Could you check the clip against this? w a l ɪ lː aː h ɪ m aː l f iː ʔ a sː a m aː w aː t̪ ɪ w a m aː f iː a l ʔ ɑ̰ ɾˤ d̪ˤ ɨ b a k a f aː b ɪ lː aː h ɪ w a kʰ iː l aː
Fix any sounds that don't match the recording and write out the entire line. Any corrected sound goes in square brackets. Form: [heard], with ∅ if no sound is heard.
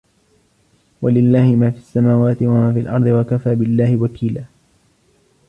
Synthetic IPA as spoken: w a l ɪ lː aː h ɪ m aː [∅] f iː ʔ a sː a m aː w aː t̪ ɪ w a m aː f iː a l ʔ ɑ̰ ɾˤ d̪ˤ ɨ [w] a k a f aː b ɪ lː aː h ɪ w a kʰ iː l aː

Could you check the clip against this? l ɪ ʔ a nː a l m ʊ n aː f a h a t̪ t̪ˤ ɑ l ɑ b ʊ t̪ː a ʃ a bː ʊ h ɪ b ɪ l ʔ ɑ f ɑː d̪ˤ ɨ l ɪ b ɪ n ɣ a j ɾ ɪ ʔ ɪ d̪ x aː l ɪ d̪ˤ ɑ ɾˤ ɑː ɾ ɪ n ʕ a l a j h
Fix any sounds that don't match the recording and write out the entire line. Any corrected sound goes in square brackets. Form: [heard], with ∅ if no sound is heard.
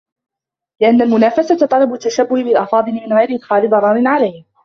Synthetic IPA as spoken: l ɪ ʔ a nː a l m ʊ n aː f a [s] a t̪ t̪ˤ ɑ l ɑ b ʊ t̪ː a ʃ a bː ʊ h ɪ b ɪ l ʔ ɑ f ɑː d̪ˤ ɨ l ɪ [m] ɪ n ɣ a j ɾ ɪ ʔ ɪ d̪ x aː l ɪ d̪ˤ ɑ ɾˤ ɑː ɾ ɪ n ʕ a l a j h

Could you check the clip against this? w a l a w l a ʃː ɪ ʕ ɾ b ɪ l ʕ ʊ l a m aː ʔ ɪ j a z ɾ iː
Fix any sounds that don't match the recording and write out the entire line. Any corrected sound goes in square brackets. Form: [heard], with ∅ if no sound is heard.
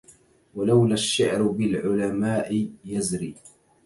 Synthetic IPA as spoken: w a l a w l a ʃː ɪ ʕ ɾ b ɪ l ʕ ʊ l a m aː ʔ ɪ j a z ɾ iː

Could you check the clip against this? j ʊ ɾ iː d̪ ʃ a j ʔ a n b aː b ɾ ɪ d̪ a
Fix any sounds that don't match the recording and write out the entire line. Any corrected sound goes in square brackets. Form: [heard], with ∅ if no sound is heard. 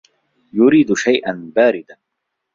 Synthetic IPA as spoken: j ʊ ɾ iː d̪ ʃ a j ʔ a n b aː [∅] ɾ ɪ d̪ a

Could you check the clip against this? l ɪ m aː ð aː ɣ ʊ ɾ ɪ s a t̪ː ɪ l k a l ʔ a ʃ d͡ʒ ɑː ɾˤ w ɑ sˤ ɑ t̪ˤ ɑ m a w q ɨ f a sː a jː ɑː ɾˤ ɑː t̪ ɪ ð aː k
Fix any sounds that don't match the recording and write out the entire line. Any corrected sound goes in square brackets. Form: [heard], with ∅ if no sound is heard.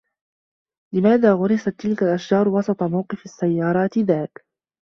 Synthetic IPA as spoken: l ɪ m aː ð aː ɣ ʊ ɾ ɪ s a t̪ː ɪ l k a l ʔ a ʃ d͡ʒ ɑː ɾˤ w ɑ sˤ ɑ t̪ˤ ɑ m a w q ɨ f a sː a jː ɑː ɾˤ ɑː t̪ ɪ ð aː k

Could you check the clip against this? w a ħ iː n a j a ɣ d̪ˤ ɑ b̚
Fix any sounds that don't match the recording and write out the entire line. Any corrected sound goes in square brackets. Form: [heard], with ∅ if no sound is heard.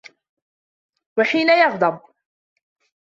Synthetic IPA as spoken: w a ħ iː n a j [ɑ] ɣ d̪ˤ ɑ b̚

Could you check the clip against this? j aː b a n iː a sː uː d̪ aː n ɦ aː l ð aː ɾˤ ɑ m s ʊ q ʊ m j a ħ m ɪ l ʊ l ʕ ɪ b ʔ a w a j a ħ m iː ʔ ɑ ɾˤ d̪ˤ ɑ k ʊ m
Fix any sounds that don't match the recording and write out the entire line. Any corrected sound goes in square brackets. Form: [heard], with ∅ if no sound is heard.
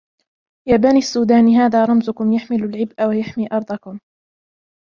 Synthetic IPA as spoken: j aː b a n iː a sː uː d̪ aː n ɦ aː [∅] ð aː ɾˤ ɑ m [z] ʊ [k] ʊ m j a ħ m ɪ l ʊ l ʕ ɪ b ʔ a w a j a ħ m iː ʔ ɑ ɾˤ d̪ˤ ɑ k ʊ m

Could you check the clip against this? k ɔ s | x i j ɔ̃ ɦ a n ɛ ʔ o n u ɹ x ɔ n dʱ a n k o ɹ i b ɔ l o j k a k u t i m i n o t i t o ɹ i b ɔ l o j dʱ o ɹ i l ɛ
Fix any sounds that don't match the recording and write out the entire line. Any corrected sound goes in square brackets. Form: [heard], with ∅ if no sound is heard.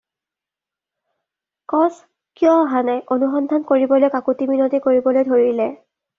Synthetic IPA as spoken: k ɔ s | [k] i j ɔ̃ ɦ a n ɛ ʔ o n u [∅] x ɔ n dʱ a n k o ɹ i b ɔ l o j k a k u t i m i n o t i [k] o ɹ i b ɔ l o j dʱ o ɹ i l ɛ

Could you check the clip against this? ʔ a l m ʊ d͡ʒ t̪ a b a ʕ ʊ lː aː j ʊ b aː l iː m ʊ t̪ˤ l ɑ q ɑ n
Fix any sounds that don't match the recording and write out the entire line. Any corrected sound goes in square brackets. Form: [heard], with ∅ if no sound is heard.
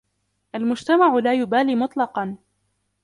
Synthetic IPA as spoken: ʔ a l m ʊ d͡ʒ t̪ a [m] a ʕ ʊ [l] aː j ʊ b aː l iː m ʊ t̪ˤ l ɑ q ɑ n

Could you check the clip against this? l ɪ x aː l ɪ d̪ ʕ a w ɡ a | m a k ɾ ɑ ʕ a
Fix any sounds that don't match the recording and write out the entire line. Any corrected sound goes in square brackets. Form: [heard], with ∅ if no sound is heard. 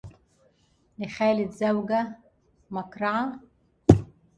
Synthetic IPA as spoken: l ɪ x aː l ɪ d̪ [z] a w ɡ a | m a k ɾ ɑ ʕ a

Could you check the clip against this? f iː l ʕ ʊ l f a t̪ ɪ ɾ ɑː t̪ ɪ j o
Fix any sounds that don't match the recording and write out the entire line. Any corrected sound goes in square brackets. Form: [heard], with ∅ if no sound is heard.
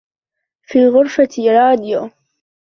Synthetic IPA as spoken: f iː l [ɣ] ʊ [ɾ] f a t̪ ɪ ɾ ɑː [d̪] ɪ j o

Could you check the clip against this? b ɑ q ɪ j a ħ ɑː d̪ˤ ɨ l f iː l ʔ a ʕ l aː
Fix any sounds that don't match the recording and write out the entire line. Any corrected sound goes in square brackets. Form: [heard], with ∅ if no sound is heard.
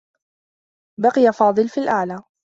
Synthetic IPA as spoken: b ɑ q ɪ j a [f] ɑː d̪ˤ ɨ l f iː l ʔ a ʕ l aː

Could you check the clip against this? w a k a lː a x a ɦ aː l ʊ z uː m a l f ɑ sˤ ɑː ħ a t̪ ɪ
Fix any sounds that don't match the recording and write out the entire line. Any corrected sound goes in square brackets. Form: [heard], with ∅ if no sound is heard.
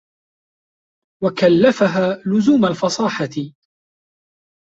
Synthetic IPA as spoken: w a k a lː a [f] a ɦ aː l ʊ z uː m a l f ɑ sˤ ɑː ħ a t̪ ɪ

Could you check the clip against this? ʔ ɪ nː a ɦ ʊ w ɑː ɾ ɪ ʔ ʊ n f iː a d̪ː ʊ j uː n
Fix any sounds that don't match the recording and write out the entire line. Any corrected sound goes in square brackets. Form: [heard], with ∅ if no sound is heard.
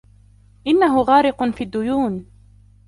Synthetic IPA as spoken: ʔ ɪ nː a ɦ ʊ [ɣ] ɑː ɾ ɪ [q] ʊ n f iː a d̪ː ʊ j uː n

